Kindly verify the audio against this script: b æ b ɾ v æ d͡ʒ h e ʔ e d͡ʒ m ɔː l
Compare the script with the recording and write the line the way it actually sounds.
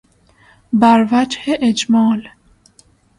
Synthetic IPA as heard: b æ ɾ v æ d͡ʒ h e ʔ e d͡ʒ m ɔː l